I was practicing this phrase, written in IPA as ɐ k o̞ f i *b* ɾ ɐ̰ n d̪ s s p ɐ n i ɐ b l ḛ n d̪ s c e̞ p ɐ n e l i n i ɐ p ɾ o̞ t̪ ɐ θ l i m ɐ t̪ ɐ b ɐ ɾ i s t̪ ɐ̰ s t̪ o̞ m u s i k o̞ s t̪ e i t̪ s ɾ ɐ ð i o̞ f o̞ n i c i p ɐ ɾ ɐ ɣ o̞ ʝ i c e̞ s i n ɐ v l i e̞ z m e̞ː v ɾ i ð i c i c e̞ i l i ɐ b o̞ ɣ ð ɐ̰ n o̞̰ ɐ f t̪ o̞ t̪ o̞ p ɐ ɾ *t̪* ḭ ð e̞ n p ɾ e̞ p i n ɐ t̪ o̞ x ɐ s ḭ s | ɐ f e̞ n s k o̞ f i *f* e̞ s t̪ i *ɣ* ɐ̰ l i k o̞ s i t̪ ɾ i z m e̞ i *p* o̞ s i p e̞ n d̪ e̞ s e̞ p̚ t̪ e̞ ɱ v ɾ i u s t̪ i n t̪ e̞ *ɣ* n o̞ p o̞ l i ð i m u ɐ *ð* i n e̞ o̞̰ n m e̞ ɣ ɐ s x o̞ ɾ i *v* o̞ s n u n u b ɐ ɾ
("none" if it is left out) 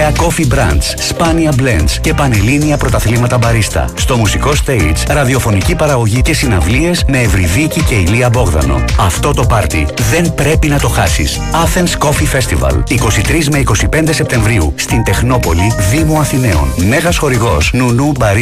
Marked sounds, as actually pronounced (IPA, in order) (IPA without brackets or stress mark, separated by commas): b, t̪, f, v, k, x, θ, ɣ